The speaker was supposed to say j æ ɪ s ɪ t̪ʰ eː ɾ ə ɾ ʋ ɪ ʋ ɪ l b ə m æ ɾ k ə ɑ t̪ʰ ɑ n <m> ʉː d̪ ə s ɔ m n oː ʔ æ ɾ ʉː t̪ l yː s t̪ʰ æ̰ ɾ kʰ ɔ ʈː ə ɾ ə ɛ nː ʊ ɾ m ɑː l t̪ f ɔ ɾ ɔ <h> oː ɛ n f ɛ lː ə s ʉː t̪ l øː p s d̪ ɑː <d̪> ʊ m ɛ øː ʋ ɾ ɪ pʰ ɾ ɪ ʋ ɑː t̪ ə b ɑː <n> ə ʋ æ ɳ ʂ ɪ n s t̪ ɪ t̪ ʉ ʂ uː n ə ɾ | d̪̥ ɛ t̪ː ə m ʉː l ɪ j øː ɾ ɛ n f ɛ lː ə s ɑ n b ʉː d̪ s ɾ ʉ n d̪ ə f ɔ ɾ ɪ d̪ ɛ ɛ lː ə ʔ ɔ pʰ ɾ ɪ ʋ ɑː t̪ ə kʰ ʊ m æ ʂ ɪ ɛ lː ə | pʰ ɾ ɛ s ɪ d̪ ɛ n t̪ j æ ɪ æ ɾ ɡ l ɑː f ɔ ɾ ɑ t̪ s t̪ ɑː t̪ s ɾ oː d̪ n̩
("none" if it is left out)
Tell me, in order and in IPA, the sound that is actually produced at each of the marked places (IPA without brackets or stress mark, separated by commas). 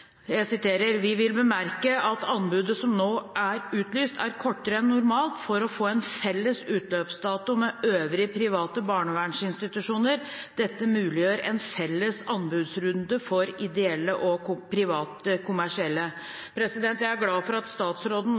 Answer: b, f, t̪, ɳ